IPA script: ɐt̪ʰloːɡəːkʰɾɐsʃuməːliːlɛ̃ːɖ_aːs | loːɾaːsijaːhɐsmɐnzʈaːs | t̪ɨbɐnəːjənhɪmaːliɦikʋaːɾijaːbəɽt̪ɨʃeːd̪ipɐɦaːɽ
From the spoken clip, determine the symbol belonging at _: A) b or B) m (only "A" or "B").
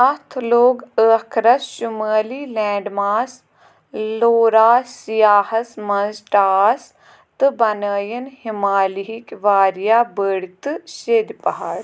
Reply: B